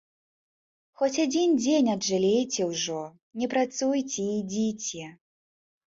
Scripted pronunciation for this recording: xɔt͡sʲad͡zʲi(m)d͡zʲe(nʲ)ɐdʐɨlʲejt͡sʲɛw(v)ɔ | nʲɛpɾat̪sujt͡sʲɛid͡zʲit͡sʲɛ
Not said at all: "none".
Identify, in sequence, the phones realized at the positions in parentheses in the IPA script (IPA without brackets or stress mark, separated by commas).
n, nʲ, ʐ